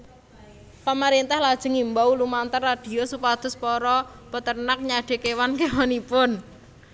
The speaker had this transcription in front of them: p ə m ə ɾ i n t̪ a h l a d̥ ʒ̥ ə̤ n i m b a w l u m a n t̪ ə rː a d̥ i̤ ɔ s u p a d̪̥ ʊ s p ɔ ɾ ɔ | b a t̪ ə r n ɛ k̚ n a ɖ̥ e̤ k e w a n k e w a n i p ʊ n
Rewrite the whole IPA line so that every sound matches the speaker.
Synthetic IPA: p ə m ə ɾ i n t̪ a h l a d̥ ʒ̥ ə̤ ŋ i m b a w l u m a n t̪ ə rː a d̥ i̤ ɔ s u p a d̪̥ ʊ s p ɔ ɾ ɔ | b ə t̪ ə r n a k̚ ɲ a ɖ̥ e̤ k e w a n k e w a n i p ʊ n